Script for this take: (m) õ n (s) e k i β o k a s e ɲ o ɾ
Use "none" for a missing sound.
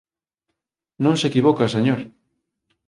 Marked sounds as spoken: n, s

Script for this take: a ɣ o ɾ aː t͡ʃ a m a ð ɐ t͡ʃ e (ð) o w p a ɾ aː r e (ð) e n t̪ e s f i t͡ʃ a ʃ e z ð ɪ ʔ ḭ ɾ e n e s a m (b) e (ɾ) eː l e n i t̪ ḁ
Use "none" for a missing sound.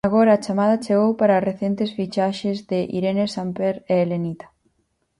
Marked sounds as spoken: ɣ, θ, p, ɾ

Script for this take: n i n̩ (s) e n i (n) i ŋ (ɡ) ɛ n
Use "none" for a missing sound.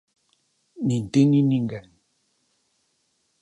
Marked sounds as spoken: t, n, ɡ

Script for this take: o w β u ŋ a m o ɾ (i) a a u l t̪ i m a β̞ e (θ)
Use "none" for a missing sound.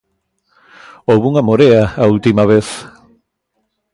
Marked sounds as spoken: e, θ

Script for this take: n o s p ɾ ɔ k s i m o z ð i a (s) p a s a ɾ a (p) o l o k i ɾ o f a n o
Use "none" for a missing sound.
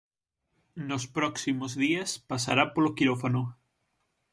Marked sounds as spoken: s, p

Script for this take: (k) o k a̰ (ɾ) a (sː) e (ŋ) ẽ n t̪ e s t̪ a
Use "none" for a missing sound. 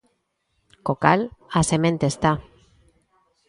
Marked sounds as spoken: k, l, s, m

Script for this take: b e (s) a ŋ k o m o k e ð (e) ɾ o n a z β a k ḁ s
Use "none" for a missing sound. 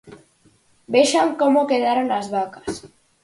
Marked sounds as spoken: ʃ, a

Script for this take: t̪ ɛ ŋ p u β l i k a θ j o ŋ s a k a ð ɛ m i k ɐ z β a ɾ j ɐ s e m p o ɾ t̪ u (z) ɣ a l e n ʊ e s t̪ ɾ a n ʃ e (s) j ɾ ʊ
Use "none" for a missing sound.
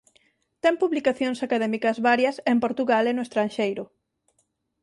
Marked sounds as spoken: none, none

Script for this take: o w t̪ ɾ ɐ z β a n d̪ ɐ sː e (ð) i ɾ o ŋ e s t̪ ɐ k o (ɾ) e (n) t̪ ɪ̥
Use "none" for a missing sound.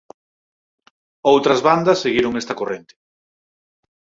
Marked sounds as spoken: ɣ, r, n

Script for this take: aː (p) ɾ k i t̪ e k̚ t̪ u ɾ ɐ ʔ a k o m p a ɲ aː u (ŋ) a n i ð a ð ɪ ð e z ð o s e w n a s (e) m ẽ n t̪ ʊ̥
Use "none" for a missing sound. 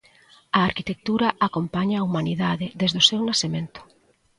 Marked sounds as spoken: none, m, e

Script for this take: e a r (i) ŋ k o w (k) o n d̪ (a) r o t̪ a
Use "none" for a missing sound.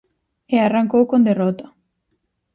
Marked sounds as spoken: a, k, e

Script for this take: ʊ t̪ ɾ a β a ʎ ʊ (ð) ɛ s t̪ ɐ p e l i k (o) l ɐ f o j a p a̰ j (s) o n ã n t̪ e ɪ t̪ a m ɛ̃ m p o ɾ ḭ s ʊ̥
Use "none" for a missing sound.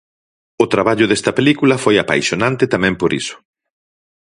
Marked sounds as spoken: ð, u, ʃ

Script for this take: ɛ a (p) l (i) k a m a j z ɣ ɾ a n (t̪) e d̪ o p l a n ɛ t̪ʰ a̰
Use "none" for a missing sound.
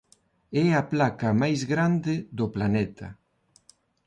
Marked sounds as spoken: p, a, d̪

